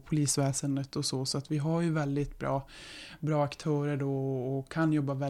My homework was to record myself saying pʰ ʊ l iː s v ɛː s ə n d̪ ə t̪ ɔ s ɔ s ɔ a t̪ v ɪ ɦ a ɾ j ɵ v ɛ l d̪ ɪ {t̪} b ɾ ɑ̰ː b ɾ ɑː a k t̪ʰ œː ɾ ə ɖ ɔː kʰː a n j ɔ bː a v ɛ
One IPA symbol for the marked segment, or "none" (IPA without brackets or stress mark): t̪